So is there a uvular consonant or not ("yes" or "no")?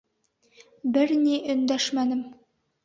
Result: no